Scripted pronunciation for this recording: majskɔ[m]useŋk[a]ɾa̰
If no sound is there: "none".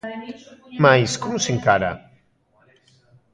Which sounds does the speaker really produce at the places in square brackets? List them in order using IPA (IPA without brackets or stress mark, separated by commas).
m, a